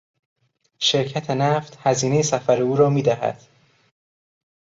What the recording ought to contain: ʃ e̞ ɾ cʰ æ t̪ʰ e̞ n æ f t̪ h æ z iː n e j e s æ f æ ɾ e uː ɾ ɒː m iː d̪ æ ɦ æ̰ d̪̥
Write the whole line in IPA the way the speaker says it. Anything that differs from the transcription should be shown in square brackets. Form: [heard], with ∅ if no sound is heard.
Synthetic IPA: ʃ e̞ ɾ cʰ æ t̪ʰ e̞ n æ f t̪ h æ z iː n e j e s æ f æ ɾ e uː ɾ ɒː m iː d̪ æ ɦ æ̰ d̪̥